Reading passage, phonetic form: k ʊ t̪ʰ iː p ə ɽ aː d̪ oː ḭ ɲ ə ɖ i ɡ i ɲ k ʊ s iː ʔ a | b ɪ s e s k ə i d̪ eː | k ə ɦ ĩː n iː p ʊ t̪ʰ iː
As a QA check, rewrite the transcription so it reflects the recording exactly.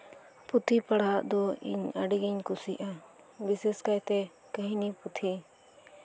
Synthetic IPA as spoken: p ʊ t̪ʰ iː p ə ɽ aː d̪ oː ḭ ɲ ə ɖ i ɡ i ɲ k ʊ s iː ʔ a | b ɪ s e s k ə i t̪ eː | k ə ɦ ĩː n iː p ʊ t̪ʰ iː

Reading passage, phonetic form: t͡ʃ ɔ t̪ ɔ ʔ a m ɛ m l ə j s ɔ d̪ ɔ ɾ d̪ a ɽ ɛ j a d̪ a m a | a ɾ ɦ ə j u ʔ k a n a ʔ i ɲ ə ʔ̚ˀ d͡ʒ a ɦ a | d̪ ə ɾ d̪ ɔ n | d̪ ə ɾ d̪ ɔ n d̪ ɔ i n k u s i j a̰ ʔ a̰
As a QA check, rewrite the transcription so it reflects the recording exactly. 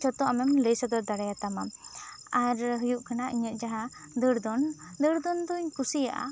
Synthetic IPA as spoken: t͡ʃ ɔ t̪ ɔ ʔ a m ɛ m l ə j s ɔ d̪ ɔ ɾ d̪ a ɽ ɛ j a t̪ a m a | a ɾ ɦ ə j u ʔ k a n a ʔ i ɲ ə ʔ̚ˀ d͡ʒ a ɦ a | d̪ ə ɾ d̪ ɔ n | d̪ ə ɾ d̪ ɔ n d̪ ɔ i ɲ k u s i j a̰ ʔ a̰

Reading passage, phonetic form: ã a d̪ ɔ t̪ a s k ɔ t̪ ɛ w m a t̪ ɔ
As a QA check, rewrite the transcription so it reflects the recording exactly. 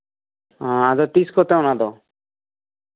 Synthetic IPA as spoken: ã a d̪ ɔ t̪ i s k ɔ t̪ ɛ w n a d̪ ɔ

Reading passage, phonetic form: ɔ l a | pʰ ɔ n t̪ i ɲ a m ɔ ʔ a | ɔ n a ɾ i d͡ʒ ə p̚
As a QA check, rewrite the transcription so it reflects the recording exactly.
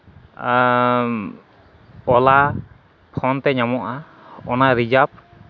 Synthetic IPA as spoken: ɔ l a | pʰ ɔ n t̪ ɛ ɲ a m ɔ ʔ a | ɔ n a ɾ i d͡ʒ a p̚

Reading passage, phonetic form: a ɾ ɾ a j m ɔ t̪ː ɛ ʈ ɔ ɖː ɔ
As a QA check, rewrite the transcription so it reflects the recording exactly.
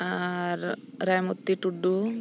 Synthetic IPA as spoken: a ɾ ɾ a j m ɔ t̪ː i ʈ u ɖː u

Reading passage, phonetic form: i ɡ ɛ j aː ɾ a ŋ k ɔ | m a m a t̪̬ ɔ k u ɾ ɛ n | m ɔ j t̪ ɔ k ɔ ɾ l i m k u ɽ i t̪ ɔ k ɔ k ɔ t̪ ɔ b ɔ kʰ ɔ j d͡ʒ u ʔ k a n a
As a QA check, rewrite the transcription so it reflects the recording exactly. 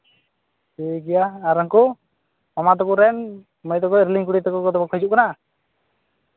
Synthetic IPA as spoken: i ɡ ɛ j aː ɾ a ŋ k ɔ | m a m a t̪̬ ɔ k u ɾ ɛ n | m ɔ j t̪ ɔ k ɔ ɾ l i ŋ k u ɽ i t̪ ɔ k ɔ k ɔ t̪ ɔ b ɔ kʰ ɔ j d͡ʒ u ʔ k a n a

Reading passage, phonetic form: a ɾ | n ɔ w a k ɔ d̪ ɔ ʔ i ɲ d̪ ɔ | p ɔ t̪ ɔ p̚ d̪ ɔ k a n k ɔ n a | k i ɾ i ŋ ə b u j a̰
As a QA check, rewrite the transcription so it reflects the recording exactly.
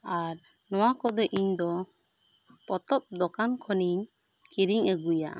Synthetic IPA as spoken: a ɾ | n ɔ w a k ɔ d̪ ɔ ʔ i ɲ d̪ ɔ | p ɔ t̪ ɔ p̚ d̪ ɔ k a n kʰ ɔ n i | k i ɾ i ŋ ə ɡ u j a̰

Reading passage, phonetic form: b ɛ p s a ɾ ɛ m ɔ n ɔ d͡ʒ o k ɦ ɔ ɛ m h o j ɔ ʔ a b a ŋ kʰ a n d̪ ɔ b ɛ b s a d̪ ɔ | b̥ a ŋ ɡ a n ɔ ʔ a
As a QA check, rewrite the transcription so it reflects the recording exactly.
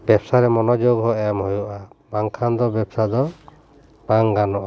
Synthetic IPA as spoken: b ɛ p s a ɾ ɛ m ɔ n ɔ d͡ʒ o ɡ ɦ ɔ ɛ m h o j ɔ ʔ a b a ŋ kʰ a n d̪ ɔ b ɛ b s a d̪ ɔ | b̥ a ŋ ɡ a n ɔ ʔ a

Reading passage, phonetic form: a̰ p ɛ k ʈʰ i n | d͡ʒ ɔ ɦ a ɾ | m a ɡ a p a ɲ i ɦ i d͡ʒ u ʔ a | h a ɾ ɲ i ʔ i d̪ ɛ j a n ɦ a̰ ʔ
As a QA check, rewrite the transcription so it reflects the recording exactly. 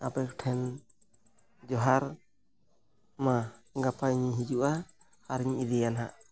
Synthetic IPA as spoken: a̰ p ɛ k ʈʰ ɛ n | d͡ʒ ɔ ɦ a ɾ | m a ɡ a p a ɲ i ɦ i d͡ʒ u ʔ a | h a ɾ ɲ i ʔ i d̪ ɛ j a n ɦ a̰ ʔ

